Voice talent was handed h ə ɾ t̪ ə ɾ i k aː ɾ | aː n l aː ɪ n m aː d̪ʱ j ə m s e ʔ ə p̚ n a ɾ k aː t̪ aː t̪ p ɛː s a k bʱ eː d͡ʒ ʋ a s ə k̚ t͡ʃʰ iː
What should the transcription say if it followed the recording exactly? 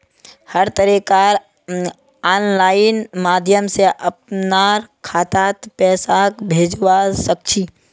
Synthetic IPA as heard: h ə ɾ t̪ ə ɾ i k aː ɾ | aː n l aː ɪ n m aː d̪ʱ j ə m s e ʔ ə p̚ n a ɾ kʰ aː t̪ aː t̪ p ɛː s a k bʱ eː d͡ʒ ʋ a s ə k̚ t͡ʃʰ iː